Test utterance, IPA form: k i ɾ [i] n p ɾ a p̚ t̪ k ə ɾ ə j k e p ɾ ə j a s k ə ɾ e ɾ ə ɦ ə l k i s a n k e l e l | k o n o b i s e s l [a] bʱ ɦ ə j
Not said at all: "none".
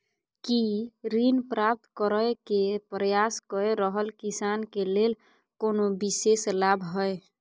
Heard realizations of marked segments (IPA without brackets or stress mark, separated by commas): i, a